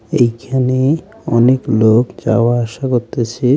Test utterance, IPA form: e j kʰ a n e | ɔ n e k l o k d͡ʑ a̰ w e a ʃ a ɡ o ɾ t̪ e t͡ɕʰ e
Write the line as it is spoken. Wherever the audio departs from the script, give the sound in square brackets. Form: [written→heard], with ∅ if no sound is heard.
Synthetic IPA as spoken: e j kʰ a n e | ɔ n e k l o k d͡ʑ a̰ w [e→a] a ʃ a [ɡ→k] o ɾ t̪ e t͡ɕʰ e